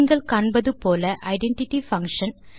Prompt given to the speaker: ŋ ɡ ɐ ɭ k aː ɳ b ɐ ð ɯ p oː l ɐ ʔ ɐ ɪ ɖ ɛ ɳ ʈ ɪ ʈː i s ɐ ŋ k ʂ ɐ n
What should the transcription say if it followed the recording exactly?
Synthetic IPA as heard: ŋ ɡ ɐ ɭ k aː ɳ b ɐ ð ɯ p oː l ɐ ʔ ɐ ɪ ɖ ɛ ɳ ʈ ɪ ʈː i f ɐ ŋ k ʂ ɐ n